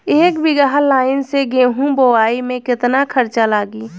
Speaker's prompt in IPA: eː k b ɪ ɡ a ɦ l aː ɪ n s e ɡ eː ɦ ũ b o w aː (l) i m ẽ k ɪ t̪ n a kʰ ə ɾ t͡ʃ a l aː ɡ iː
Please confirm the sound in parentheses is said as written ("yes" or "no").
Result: no